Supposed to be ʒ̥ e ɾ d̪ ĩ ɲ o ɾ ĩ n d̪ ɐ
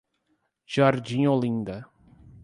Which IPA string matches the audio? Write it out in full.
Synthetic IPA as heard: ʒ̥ a ɾ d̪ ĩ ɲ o l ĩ n d̪ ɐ

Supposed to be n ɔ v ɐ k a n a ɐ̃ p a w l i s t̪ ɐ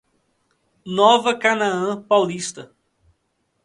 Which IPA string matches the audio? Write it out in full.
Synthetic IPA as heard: n ɔ v ɐ k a n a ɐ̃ p a w l i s t̪ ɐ

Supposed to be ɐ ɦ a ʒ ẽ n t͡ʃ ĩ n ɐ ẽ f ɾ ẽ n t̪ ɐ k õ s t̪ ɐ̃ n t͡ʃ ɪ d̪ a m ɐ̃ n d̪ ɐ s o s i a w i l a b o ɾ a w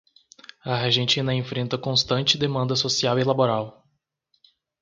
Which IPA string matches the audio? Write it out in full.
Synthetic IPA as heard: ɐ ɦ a ʒ ẽ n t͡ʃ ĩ n ɐ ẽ f ɾ ẽ n t̪ ɐ k õ s t̪ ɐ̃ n t͡ʃ ɪ d̪ e m ɐ̃ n d̪ ɐ s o s i a w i l a b o ɾ a w

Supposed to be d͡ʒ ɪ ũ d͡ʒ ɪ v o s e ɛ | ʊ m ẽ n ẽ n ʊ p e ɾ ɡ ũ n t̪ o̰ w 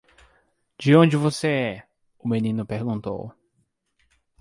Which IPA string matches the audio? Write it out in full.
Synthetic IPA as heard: d͡ʒ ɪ õ d͡ʒ ɪ v o s e ɛ | ʊ m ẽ n ĩ n ʊ p e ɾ ɡ ũ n t̪ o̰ w

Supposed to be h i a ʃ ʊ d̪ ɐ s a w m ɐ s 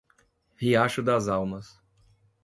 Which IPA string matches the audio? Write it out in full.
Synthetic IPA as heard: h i a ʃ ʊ d̪ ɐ z a w m ɐ s

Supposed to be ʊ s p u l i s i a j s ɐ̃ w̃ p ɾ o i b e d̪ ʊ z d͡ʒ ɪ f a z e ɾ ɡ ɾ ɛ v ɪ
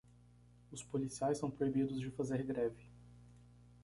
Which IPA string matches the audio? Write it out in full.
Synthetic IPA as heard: ʊ s p o l i s i a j s ɐ̃ w̃ p ɾ o i b i d̪ ʊ z d͡ʒ ɪ f a z e ɾ ɡ ɾ ɛ v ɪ

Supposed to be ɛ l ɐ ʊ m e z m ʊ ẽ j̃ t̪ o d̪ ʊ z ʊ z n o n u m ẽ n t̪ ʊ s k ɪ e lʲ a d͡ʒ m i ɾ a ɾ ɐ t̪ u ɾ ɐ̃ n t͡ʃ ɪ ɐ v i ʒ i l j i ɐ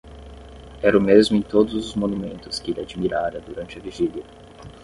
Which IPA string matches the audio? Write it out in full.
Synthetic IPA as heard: ɛ ɾ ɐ ʊ m e z m ʊ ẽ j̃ t̪ o d̪ ʊ z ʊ z m o n u m ẽ n t̪ ʊ s k ɪ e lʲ a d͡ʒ m i ɾ a ɾ ɐ d̪ u ɾ ɐ̃ n t͡ʃ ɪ ɐ v i ʒ i l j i ɐ

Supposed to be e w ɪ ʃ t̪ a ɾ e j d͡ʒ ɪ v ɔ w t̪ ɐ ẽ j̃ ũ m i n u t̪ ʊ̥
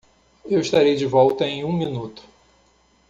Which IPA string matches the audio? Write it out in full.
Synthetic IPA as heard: e w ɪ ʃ t̪ a ɾ e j d͡ʒ ɪ v ɔ w t̪ ɐ ẽ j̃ ũ m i n u t̪ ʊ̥

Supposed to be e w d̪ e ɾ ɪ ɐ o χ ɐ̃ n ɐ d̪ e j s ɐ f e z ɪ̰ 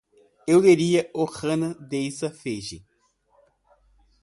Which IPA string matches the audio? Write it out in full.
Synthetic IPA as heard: e w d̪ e ɾ i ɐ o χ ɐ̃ n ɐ d̪ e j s ɐ f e ʒ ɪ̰

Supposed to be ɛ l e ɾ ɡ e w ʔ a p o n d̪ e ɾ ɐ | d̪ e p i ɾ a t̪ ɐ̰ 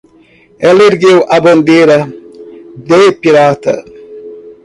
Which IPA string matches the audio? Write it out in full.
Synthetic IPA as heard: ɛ l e ɾ ɡ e w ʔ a b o n d̪ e ɾ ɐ | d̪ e p i ɾ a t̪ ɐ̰

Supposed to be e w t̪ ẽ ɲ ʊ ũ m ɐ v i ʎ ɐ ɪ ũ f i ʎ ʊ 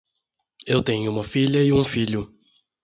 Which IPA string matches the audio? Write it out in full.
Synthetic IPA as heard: e w t̪ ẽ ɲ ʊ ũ m ɐ f i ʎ ɐ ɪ ũ f i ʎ ʊ

